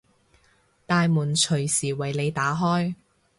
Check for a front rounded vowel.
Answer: absent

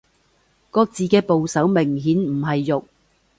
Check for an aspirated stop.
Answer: absent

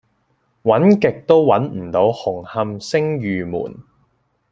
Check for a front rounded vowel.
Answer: present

